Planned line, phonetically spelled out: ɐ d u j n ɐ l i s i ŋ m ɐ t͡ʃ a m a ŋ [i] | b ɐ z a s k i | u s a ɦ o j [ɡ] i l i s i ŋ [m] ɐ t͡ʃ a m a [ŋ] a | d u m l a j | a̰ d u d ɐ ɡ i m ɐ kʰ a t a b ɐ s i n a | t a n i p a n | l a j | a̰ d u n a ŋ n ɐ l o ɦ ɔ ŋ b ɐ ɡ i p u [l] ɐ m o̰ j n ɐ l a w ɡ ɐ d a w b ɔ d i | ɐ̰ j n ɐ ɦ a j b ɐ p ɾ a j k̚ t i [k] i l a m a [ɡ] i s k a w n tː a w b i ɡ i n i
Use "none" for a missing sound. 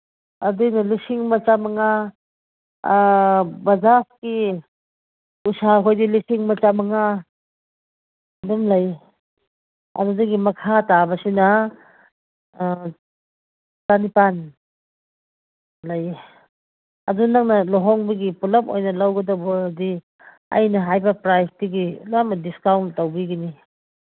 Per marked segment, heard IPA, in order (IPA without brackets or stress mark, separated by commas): a, d, m, ŋ, l, ɡ, d